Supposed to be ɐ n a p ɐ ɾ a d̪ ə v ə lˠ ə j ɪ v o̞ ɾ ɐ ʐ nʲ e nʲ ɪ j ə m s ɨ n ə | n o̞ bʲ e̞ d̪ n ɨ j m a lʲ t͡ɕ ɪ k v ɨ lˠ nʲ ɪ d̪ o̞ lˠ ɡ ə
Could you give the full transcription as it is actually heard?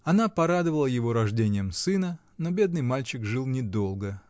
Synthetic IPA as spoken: ɐ n a p ɐ ɾ a d̪ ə v ə lˠ ə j ɪ v o̞ ɾ ɐ ʐ dʲ e nʲ ɪ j ə m s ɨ n ə | n o̞ bʲ e̞ d̪ n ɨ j m a lʲ t͡ɕ ɪ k ʐ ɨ lˠ nʲ ɪ d̪ o̞ lˠ ɡ ə